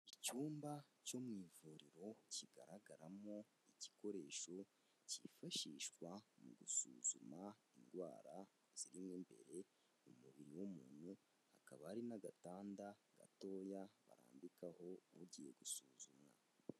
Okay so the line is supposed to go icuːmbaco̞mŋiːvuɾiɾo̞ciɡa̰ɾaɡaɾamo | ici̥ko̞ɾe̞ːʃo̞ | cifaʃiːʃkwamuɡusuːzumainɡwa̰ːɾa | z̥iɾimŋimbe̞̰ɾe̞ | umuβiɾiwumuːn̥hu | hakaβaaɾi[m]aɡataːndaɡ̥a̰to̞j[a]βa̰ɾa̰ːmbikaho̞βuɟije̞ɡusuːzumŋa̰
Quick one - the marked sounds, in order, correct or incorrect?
incorrect: n, correct

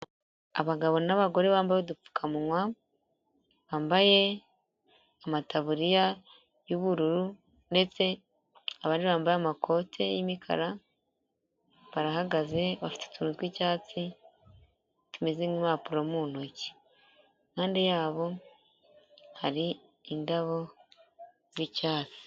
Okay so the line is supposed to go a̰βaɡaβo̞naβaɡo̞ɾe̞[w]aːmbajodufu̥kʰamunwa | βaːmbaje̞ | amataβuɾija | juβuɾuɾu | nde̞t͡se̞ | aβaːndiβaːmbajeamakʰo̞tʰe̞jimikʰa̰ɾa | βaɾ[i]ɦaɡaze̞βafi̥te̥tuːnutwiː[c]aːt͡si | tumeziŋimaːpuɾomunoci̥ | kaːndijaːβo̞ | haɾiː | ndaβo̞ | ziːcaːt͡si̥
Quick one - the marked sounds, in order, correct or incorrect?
incorrect: β, incorrect: a, correct

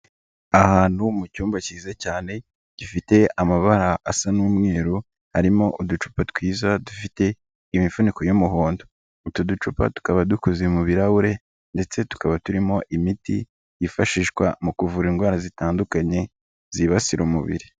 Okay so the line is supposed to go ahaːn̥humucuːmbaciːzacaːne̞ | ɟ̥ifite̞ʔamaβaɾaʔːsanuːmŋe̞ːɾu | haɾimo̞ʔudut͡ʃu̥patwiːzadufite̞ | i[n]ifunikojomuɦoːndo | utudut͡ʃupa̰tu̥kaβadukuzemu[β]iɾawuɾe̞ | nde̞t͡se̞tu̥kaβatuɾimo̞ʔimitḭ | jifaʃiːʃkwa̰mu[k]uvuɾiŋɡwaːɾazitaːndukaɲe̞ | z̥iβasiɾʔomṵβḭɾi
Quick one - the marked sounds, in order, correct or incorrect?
incorrect: m, correct, correct

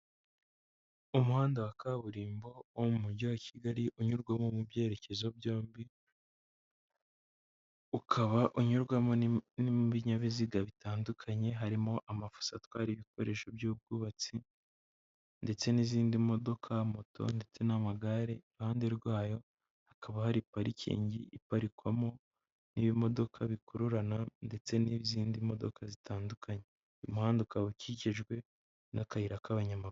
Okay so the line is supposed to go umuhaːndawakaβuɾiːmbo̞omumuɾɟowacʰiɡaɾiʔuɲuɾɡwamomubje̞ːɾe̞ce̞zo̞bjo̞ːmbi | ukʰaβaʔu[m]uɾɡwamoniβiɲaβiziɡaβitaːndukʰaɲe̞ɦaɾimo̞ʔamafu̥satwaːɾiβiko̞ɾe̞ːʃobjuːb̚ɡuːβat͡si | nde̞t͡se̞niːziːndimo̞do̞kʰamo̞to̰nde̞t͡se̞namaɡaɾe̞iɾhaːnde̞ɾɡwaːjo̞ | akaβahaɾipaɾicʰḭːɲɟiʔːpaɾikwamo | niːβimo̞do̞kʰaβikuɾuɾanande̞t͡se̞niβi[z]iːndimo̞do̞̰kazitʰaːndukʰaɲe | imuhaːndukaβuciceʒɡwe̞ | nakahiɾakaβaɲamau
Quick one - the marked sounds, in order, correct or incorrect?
incorrect: ɲ, correct

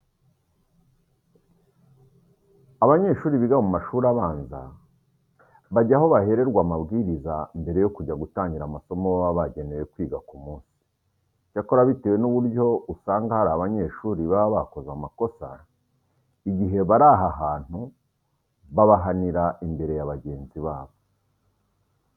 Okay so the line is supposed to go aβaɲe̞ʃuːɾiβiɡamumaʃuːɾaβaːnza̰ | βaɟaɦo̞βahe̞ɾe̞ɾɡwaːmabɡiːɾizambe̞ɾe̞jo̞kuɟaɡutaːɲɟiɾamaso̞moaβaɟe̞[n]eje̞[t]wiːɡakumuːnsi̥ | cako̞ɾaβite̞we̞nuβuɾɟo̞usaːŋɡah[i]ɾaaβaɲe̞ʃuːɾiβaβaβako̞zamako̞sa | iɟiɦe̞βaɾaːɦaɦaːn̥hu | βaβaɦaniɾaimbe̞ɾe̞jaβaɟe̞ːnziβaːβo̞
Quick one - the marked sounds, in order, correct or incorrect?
correct, incorrect: k, incorrect: a

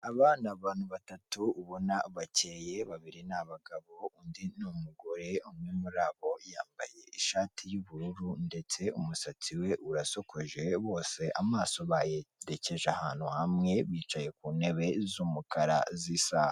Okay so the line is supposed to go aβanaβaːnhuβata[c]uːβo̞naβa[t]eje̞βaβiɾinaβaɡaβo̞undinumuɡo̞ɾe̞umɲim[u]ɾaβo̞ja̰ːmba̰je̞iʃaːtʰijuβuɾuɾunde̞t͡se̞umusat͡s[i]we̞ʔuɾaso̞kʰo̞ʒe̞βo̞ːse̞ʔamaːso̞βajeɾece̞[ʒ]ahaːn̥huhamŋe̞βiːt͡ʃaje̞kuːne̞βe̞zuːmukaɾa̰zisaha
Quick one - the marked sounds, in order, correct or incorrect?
incorrect: t, incorrect: c, correct, correct, correct

